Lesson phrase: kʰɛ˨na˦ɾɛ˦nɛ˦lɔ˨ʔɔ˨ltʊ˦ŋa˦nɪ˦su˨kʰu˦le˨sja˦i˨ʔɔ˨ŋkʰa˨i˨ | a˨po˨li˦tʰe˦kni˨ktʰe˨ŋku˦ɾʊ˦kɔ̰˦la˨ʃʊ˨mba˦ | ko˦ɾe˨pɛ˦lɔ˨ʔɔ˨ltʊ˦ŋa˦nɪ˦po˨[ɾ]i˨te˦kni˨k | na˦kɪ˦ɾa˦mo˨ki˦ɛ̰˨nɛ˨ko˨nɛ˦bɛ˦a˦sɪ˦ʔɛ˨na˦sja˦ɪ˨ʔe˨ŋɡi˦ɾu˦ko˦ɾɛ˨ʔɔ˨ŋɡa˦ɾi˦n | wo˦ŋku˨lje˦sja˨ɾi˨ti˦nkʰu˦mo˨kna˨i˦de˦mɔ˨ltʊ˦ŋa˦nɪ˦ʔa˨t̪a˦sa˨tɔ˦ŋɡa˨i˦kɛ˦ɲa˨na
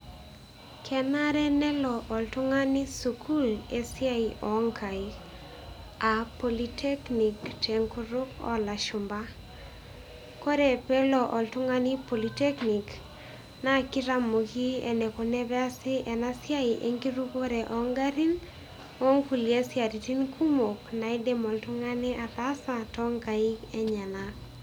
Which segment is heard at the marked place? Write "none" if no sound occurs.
l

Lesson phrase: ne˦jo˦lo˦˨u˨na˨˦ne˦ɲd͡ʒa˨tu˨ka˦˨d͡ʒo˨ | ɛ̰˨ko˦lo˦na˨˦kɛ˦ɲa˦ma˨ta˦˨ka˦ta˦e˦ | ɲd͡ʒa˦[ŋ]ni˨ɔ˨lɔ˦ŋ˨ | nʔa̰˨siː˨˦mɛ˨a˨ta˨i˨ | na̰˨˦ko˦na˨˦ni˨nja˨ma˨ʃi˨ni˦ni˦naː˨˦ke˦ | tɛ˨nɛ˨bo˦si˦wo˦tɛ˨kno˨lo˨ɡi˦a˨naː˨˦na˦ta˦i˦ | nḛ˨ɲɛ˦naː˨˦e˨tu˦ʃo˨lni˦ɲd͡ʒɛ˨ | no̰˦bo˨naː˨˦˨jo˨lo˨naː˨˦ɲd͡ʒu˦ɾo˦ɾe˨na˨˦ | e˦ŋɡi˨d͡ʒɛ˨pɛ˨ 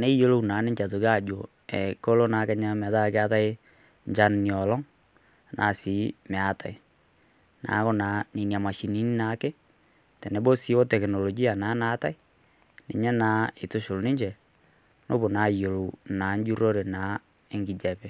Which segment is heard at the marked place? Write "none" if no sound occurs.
n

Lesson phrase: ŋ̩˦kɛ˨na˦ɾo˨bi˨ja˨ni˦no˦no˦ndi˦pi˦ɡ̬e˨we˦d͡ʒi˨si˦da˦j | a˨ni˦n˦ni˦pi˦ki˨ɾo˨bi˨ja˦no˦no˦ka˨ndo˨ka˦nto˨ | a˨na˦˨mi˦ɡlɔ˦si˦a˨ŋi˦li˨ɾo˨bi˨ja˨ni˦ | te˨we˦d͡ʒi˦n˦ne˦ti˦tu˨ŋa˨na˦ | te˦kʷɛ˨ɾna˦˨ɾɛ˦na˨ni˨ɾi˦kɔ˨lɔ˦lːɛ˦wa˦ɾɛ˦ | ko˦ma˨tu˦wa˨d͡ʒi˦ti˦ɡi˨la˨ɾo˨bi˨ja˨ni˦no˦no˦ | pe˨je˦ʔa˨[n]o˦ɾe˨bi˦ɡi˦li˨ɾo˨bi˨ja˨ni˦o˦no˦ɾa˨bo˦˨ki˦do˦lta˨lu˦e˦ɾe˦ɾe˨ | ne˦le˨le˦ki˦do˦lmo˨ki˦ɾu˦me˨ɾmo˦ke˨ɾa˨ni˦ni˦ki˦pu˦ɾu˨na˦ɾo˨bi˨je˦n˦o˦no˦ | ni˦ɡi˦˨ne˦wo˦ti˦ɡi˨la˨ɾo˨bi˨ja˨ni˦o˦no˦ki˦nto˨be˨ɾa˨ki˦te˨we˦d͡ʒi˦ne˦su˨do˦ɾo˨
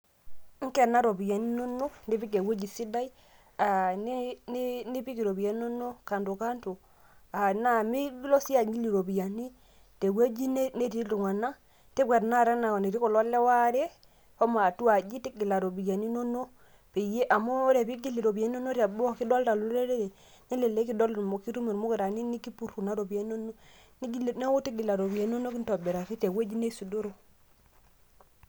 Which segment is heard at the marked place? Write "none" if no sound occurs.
m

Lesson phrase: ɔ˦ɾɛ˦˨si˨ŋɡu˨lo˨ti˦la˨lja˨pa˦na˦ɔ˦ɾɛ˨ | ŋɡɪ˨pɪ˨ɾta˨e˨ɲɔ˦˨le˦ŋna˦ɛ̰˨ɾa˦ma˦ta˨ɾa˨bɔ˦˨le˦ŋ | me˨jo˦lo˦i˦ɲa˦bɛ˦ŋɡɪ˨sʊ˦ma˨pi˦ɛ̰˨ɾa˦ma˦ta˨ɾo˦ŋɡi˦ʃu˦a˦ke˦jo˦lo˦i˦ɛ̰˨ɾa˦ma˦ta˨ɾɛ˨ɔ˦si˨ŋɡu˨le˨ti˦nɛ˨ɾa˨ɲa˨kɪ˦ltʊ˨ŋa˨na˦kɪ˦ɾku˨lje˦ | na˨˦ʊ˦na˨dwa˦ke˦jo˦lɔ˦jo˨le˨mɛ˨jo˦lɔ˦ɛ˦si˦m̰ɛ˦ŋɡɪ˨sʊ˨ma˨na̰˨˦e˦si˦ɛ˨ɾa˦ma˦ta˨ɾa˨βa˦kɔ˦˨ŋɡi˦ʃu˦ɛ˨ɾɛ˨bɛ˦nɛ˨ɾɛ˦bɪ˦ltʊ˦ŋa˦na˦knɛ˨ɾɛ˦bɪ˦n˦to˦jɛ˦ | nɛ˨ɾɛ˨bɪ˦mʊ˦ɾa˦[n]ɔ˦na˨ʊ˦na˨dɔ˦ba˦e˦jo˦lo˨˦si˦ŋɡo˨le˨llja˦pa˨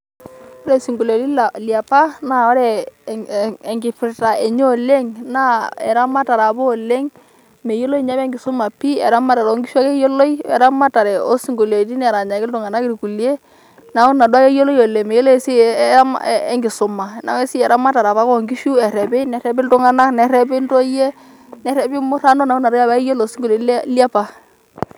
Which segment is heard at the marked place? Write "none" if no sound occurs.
n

